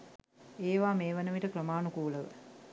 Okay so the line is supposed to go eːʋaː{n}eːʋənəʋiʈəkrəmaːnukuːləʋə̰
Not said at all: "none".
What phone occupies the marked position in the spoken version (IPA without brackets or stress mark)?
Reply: m